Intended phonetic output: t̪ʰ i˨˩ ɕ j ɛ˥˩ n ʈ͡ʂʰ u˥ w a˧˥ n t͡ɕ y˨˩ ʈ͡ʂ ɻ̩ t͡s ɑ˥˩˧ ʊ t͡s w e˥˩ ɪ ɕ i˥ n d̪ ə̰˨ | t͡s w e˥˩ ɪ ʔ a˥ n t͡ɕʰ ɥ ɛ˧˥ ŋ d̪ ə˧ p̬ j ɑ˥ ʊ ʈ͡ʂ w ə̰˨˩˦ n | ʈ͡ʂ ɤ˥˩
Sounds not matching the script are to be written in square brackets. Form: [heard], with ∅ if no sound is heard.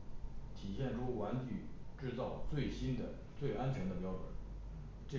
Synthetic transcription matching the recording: t̪ʰ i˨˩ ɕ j ɛ˥˩ n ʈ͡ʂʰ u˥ w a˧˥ n t͡ɕ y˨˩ ʈ͡ʂ ɻ̩ t͡s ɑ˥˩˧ ʊ t͡s w e˥˩ ɪ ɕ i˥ n d̪ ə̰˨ | t͡s w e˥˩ ɪ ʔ a˥ n t͡ɕʰ ɥ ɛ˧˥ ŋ d̪ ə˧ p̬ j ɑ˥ ʊ ʈ͡ʂ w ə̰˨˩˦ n | ʈ͡ʂ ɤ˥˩